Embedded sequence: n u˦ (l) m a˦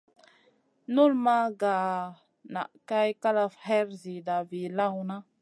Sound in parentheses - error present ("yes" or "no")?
no